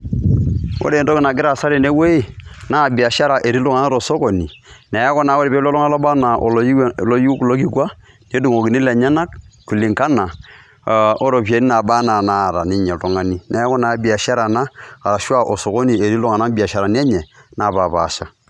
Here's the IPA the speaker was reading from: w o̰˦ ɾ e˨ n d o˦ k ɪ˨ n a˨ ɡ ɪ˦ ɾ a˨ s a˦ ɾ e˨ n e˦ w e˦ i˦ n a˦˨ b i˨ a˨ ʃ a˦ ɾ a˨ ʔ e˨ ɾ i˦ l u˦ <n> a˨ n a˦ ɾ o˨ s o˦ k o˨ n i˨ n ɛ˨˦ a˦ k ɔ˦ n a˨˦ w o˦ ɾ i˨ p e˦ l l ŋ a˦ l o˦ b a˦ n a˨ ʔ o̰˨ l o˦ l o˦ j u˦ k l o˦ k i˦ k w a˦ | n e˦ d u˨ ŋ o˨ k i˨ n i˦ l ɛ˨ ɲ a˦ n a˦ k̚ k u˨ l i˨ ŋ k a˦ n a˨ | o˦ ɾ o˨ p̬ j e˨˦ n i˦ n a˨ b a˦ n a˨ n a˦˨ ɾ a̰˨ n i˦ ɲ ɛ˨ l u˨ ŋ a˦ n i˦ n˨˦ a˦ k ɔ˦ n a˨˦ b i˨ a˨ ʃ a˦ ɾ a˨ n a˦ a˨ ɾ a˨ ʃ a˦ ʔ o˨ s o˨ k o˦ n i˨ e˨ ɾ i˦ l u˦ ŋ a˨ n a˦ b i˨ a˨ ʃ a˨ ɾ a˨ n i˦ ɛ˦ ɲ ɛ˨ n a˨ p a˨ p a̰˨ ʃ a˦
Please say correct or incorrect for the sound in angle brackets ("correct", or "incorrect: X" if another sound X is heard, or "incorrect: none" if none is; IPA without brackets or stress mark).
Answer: incorrect: ŋ